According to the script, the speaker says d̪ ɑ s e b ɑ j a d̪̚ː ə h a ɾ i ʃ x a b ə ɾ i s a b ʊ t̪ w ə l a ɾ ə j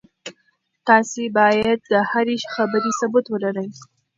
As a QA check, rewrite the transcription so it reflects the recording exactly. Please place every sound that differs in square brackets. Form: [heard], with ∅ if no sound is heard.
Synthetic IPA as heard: [t̪] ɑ s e b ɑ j a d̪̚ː ə h a ɾ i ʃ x a b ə ɾ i s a b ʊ t̪ w ə l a ɾ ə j

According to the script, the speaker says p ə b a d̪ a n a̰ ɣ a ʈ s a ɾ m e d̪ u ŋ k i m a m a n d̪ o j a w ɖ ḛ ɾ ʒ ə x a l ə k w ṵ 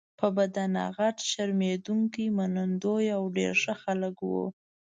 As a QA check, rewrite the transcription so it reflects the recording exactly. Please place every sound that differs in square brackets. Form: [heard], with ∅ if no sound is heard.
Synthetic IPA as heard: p ə b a d̪ a n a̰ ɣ a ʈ [ʃ] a ɾ m e d̪ u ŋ k i m a [n] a n d̪ o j a w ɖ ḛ ɾ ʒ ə x a l ə k w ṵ

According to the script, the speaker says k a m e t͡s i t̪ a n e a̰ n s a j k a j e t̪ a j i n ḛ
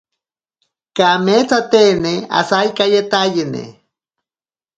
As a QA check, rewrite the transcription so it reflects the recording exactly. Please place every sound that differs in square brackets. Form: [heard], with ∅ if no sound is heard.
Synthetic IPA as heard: k a m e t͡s [a] t̪ [e] n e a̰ [∅] s a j k a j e t̪ a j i n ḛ

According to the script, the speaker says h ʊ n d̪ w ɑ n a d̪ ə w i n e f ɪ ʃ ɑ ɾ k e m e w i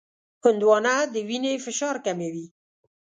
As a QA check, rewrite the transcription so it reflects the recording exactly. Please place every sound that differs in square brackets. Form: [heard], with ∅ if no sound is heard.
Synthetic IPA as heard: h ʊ n d̪ w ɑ n a d̪ ə w i n e f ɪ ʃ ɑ ɾ k [a] m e w i

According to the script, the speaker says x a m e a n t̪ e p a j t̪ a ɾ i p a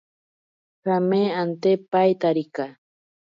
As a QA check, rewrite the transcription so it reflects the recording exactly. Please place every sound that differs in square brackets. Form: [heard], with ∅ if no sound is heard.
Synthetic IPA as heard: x a m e a n t̪ e p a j t̪ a ɾ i [k] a

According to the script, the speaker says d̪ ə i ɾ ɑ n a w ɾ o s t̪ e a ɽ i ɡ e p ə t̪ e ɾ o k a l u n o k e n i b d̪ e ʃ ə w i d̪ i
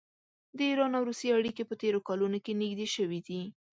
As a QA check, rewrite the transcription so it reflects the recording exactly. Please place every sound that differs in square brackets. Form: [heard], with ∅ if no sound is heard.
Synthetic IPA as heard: d̪ ə i ɾ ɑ n a w ɾ [u] s t̪ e a ɽ i [k] e p ə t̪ e ɾ o k [ɑ] l u n o k e n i [ɡ] d̪ e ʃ ə w i d̪ i

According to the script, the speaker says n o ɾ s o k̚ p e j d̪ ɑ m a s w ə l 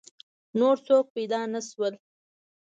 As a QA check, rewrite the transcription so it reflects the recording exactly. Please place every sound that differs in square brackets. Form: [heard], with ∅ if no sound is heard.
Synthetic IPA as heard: n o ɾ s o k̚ p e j d̪ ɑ [n] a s w ə l

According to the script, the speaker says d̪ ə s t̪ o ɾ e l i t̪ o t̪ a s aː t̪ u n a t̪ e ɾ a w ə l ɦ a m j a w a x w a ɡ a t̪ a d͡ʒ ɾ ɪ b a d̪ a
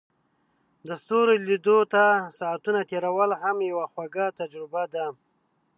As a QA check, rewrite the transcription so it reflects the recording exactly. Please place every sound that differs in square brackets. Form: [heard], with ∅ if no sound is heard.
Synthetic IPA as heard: d̪ ə s t̪ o ɾ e l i [d̪] o t̪ a s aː t̪ u n a t̪ e ɾ a w ə l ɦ a m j a w a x w a ɡ a t̪ a d͡ʒ ɾ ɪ b a d̪ a

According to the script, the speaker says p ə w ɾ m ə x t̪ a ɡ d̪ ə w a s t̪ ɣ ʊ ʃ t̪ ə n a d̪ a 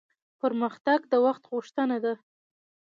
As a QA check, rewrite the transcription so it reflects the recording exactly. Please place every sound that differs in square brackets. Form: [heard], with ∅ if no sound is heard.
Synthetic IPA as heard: p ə [∅] ɾ m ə x t̪ a ɡ d̪ ə w a [x] t̪ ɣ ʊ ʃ t̪ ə n a d̪ a

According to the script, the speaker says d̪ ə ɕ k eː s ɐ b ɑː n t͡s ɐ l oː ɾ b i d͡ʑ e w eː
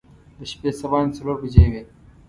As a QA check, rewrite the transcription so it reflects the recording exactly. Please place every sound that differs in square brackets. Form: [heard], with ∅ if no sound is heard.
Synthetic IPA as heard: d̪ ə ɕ [p] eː s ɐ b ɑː n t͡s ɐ l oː ɾ b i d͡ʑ e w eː

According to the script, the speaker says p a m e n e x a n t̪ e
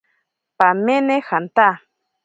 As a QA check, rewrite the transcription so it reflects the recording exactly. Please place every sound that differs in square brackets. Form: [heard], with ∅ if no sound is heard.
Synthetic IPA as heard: p a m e n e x a n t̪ [a]

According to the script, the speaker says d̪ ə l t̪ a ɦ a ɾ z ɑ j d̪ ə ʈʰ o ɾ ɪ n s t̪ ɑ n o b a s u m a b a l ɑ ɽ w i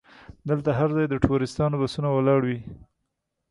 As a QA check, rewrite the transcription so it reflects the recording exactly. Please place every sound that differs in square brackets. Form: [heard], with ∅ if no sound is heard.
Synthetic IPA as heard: d̪ ə l t̪ a ɦ a ɾ z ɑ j d̪ ə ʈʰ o ɾ ɪ [∅] s t̪ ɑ n o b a s u [n] a [w] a l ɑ ɽ w i

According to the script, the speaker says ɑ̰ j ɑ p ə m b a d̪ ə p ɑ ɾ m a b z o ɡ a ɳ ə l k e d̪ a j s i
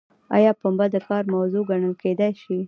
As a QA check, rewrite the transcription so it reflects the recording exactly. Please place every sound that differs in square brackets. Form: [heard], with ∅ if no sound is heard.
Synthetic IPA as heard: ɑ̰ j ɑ p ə m b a d̪ ə [k] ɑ ɾ m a [w] z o ɡ a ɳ ə l k e d̪ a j [ʃ] i

